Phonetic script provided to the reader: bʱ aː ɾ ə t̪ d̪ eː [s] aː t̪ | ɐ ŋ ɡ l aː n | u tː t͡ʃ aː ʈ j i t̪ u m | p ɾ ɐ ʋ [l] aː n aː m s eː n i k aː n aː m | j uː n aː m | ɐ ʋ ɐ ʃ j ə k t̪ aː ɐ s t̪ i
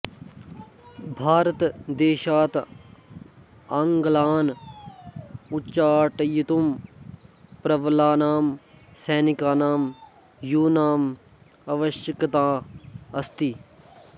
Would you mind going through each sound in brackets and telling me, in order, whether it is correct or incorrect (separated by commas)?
incorrect, correct